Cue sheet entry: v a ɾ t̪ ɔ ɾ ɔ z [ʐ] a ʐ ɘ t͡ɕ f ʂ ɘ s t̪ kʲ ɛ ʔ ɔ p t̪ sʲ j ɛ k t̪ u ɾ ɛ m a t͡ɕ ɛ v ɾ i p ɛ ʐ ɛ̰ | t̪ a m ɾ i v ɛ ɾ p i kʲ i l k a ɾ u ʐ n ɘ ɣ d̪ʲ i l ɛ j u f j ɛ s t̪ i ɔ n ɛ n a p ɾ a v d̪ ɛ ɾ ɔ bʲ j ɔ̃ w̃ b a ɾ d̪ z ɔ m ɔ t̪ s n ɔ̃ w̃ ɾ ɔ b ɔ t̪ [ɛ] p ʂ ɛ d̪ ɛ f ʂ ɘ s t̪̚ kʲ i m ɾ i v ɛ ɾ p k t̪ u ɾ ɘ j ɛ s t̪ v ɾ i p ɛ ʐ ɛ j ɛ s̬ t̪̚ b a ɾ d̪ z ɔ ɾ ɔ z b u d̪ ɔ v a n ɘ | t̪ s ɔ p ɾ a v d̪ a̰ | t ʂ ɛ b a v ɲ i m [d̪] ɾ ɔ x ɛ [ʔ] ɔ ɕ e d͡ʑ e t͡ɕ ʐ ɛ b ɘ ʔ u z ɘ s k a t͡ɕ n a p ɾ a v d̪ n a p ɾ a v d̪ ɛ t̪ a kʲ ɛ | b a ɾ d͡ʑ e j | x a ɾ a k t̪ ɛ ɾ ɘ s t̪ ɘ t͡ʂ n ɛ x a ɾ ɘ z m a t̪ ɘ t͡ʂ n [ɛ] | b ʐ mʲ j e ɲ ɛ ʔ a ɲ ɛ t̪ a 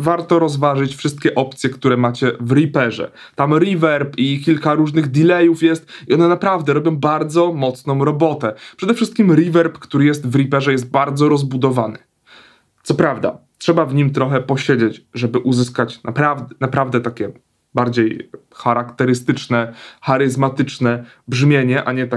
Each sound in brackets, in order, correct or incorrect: incorrect: v, correct, incorrect: t̪, incorrect: p, correct

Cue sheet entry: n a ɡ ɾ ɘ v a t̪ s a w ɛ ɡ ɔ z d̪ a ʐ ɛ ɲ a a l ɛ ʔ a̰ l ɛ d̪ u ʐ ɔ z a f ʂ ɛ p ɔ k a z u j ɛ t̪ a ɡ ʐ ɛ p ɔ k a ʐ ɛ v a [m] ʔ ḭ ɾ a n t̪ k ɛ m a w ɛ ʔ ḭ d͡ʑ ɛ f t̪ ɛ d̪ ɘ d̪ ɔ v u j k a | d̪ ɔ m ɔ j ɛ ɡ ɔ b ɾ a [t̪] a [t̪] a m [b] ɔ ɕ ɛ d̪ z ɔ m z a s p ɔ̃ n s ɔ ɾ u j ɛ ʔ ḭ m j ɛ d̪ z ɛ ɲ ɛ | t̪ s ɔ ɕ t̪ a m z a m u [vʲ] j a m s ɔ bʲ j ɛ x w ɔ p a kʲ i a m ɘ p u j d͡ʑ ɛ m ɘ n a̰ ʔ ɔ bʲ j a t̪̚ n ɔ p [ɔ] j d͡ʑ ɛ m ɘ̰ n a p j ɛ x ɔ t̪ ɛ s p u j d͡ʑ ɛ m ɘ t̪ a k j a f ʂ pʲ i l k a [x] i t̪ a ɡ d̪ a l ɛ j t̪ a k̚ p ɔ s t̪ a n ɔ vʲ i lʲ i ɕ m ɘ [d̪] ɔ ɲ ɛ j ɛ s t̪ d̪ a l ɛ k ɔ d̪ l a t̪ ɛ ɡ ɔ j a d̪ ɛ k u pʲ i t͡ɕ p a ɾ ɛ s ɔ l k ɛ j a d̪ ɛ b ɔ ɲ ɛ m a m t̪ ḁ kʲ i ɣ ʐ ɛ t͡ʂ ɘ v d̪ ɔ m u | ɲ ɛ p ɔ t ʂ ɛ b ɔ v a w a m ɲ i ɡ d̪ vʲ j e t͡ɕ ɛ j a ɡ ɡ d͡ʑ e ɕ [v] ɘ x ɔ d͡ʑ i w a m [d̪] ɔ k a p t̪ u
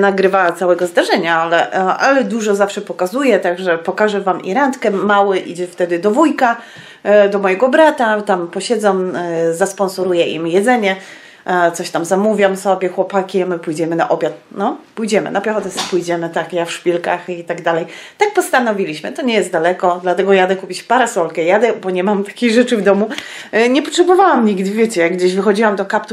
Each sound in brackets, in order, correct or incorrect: correct, correct, correct, incorrect: p, correct, incorrect: u, correct, incorrect: t̪, correct, correct

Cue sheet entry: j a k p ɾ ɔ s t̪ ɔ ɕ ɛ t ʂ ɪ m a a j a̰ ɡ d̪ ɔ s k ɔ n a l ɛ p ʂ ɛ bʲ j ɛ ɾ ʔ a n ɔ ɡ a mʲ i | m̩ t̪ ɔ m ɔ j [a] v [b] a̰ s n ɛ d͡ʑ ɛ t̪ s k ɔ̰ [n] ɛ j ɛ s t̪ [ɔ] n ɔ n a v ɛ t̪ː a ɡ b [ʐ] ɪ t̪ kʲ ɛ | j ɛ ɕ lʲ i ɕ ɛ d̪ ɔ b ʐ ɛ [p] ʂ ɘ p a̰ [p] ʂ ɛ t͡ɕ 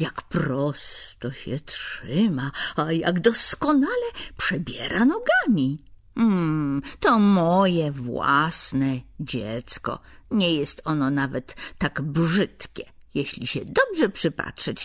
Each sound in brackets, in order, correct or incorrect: incorrect: ɛ, incorrect: w, incorrect: ɲ, correct, correct, correct, incorrect: t

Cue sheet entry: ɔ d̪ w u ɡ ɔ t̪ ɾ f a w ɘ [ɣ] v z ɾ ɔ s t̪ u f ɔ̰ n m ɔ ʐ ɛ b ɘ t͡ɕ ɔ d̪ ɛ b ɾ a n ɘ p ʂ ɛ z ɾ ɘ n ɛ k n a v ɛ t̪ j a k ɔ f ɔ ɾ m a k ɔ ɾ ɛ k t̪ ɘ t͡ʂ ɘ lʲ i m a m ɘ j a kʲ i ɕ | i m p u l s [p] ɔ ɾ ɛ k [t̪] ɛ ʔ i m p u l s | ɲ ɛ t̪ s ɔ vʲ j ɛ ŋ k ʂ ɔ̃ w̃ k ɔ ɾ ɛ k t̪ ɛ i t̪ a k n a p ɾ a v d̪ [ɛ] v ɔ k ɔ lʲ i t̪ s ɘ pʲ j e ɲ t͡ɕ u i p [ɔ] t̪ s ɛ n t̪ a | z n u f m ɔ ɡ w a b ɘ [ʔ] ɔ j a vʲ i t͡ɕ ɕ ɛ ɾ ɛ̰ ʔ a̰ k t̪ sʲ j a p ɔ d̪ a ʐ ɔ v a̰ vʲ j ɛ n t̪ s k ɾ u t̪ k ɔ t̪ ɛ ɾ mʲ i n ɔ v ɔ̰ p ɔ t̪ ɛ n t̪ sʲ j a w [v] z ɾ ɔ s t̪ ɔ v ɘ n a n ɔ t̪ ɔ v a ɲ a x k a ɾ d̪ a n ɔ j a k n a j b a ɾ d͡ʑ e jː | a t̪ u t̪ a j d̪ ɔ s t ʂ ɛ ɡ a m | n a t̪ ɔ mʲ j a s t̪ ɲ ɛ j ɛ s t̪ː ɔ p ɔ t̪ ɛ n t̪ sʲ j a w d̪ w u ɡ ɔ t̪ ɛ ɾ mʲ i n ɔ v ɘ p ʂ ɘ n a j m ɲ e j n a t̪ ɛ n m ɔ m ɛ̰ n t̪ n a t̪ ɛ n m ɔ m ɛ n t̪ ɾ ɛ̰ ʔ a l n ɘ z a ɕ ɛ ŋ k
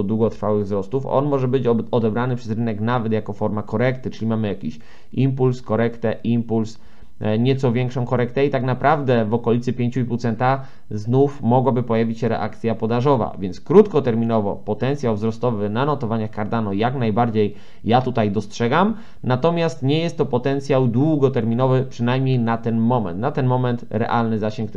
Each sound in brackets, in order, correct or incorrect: correct, incorrect: k, correct, correct, incorrect: u, incorrect: p, correct

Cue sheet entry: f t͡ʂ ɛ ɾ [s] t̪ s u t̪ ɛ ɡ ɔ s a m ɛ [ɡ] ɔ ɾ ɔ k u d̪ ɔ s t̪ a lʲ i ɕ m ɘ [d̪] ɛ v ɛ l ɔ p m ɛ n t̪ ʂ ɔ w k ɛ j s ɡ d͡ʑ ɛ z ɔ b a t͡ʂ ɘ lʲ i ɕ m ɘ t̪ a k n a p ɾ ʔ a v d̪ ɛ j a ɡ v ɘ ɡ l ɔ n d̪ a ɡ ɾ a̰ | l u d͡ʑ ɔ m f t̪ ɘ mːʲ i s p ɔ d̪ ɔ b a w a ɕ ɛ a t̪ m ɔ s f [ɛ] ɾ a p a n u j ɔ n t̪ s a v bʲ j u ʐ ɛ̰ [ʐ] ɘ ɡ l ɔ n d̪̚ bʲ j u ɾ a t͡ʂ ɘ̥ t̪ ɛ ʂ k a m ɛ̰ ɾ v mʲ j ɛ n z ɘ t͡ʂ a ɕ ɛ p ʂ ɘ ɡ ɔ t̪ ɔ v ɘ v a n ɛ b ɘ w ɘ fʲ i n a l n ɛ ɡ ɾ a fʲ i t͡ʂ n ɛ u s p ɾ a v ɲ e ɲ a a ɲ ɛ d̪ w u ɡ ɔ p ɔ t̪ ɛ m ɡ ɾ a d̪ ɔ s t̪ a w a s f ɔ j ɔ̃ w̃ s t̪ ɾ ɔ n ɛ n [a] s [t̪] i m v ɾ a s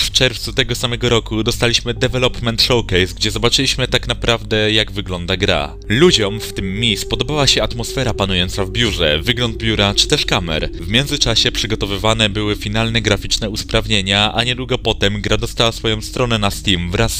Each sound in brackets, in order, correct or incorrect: incorrect: f, correct, correct, correct, incorrect: v, correct, correct

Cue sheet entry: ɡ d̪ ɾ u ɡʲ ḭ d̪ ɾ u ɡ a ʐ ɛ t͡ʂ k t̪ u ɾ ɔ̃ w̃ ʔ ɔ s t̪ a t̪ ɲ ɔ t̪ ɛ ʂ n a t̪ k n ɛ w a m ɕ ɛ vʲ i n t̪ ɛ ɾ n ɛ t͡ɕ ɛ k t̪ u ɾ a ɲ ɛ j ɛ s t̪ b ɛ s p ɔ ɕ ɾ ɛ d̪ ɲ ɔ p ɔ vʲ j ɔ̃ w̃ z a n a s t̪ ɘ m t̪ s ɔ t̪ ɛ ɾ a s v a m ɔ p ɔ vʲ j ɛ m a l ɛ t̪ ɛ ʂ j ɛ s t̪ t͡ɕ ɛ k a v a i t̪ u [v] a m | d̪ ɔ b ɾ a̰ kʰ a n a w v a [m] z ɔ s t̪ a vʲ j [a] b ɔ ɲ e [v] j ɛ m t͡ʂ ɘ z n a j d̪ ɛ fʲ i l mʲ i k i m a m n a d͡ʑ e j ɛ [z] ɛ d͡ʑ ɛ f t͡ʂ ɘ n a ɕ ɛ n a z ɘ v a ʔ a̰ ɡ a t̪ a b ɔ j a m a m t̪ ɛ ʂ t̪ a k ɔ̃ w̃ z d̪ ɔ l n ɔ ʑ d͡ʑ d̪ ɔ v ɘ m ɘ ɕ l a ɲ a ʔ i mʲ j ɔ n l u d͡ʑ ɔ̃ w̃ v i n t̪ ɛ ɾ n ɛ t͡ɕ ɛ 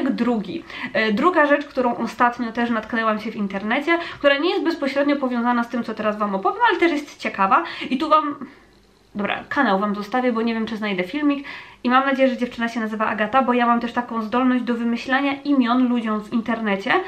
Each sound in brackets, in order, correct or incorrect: correct, correct, incorrect: ɛ, correct, incorrect: ʐ

